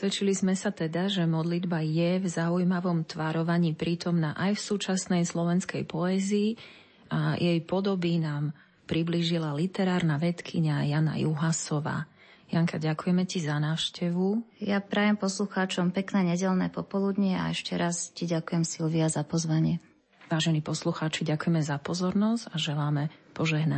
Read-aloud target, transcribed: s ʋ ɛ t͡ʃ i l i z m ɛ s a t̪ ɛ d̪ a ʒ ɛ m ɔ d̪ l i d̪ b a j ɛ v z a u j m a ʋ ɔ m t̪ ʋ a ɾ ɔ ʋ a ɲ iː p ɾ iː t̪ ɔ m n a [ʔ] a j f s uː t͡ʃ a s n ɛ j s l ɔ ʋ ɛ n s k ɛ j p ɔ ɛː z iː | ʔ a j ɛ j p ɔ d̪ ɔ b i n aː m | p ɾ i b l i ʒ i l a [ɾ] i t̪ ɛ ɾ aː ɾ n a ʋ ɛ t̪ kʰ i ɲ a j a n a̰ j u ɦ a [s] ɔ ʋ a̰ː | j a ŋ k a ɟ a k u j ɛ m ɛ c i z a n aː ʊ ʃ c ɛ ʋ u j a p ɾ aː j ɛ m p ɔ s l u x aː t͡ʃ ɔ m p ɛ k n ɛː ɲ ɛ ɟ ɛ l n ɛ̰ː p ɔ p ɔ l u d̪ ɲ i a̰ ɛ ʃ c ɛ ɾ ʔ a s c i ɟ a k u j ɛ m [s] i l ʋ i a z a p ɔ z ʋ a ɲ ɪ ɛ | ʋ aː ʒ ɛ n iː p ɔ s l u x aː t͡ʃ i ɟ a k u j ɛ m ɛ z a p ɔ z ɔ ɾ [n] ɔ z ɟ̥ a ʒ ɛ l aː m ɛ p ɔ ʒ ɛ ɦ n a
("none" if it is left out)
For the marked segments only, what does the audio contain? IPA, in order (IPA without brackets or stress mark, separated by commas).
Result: ʔ, l, s, s, n